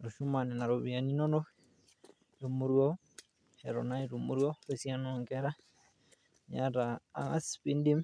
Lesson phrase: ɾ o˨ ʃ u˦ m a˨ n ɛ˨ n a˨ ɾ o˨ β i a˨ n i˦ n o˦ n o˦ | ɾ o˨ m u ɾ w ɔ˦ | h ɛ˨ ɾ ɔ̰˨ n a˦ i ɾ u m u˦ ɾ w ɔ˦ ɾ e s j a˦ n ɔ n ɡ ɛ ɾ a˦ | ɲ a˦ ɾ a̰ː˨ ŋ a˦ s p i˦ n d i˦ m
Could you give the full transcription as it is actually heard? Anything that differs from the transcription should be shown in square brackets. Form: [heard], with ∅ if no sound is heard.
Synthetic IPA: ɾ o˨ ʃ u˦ m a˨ n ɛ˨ n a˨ ɾ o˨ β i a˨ n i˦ n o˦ n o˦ | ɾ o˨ m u ɾ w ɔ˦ | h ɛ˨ ɾ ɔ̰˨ n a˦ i ɾ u m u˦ ɾ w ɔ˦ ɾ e s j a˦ n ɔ [ŋ] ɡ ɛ ɾ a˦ | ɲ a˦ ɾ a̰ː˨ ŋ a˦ s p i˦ n d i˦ m